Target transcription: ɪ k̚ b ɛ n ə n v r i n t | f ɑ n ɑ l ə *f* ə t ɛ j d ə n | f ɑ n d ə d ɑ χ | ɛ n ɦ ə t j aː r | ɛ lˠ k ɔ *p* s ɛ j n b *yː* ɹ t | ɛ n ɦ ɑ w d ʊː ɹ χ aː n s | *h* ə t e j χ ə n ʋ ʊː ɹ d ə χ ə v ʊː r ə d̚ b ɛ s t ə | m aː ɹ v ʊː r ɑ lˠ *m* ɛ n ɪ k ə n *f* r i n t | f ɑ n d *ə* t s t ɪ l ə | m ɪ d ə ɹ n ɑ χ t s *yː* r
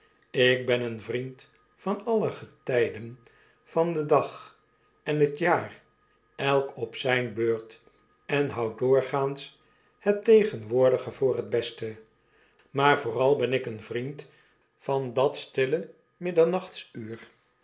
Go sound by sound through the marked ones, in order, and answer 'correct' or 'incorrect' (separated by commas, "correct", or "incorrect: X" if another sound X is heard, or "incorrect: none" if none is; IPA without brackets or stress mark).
incorrect: χ, correct, incorrect: øː, correct, incorrect: b, incorrect: v, incorrect: ɑ, correct